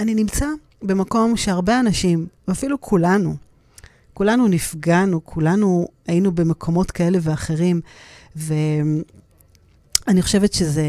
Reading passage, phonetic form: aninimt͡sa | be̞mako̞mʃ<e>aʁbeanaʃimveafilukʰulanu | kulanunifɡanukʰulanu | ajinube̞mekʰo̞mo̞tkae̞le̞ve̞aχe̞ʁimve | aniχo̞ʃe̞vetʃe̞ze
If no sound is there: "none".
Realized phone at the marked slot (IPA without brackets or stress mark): e